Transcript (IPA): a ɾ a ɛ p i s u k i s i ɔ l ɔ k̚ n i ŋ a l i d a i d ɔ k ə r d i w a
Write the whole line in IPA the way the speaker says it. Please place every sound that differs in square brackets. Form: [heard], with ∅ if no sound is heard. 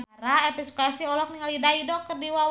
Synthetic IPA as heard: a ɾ a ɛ p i s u k [a] s i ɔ l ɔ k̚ n i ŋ a l i d a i d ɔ k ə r d i w a

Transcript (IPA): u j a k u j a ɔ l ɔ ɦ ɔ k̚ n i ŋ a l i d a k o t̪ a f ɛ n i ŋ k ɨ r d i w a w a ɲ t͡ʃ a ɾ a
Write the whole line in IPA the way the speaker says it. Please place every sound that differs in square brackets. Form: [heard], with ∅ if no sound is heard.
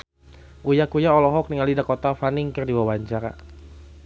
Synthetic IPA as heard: u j a k u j a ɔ l ɔ ɦ ɔ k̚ n i ŋ a l i d a k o t̪ a f [a] n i ŋ k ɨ r d i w a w a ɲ t͡ʃ a ɾ a

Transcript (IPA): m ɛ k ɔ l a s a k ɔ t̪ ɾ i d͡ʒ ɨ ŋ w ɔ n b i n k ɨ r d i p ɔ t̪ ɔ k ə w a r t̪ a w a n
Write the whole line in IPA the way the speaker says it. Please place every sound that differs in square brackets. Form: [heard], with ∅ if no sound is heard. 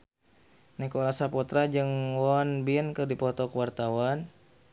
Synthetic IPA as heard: [n] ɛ k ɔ l a s a [p] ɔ t̪ ɾ [a] d͡ʒ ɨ ŋ w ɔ n b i n k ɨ r d i p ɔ t̪ ɔ k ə w a r t̪ a w a n

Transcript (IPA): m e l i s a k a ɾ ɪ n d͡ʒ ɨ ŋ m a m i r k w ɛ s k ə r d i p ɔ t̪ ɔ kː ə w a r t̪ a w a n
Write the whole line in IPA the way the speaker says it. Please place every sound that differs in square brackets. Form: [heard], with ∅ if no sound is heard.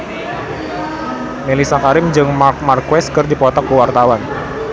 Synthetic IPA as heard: m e l i s a k a ɾ ɪ [m] d͡ʒ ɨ ŋ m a m [a] r k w ɛ s k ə r d i p ɔ t̪ ɔ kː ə w a r t̪ a w a n

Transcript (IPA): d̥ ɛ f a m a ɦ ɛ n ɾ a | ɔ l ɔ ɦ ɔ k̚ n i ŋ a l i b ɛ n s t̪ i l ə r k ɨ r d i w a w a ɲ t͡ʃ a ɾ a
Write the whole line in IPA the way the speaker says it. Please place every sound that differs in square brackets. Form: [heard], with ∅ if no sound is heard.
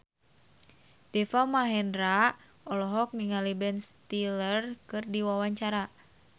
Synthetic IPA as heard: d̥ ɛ f a m a ɦ ɛ n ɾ a | ɔ l ɔ ɦ ɔ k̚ n i ŋ a l i b ɛ n s t̪ i l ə r k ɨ r d i w a w a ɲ t͡ʃ a ɾ a

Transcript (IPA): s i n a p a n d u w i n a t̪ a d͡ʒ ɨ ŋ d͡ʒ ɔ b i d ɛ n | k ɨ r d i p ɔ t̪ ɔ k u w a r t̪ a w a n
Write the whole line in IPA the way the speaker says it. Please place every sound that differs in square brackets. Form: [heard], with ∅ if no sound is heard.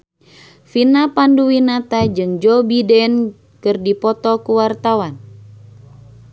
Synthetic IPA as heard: [f] i n a p a n d u w i n a t̪ a d͡ʒ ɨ ŋ d͡ʒ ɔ b i d ɛ n | k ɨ r d i p ɔ t̪ ɔ k u w a r t̪ a w a n

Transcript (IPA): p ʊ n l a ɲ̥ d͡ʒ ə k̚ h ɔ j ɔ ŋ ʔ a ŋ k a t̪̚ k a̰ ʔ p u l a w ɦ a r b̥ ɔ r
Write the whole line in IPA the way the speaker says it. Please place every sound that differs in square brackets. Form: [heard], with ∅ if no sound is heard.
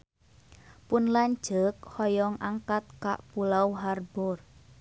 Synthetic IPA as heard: p ʊ n l a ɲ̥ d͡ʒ ə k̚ h ɔ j ɔ ŋ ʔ a ŋ k a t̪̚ k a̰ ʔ p u l a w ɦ a r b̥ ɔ r

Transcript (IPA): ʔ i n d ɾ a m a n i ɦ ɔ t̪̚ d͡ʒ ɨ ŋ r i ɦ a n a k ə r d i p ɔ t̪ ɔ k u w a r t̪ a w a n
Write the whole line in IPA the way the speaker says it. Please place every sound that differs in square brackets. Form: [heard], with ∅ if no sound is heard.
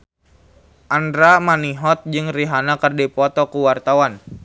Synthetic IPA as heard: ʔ [a] n d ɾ a m a n i ɦ ɔ t̪̚ d͡ʒ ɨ ŋ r i ɦ a n a k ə r d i p ɔ t̪ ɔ k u w a r t̪ a w a n

